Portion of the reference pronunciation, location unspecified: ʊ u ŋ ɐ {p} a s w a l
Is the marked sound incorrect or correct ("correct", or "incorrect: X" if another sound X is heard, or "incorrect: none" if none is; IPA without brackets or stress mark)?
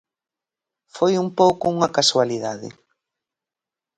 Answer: incorrect: k